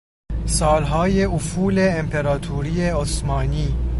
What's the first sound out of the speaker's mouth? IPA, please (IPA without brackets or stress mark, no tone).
s